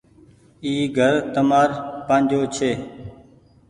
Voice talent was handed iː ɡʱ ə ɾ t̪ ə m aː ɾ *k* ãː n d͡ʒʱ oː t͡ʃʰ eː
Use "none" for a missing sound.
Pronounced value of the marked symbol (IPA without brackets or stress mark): p